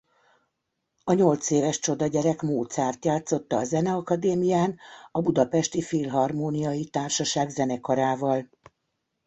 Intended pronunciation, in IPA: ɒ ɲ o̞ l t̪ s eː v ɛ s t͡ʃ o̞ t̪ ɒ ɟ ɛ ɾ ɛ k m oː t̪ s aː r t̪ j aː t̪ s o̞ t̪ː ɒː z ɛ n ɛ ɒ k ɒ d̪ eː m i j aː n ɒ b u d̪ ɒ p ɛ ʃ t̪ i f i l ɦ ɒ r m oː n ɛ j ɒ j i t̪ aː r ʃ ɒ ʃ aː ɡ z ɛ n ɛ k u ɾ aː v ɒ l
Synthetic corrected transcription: ɒ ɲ o̞ l t̪ s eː v ɛ ʃ t͡ʃ o̞ d̪ ɒ ɟ ɛ ɾ ɛ k m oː t̪ s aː r t̪ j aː t̪ s o̞ t̪ː ɒː z ɛ n ɛ ɒ k ɒ d̪ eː m i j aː n ɒ b u d̪ ɒ p ɛ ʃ t̪ i f i l ɦ ɒ r m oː n i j ɒ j i t̪ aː r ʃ ɒ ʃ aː ɡ z ɛ n ɛ k ɒ ɾ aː v ɒ l